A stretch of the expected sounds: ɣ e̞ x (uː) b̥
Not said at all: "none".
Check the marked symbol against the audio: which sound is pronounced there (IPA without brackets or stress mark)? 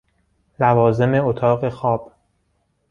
ɒː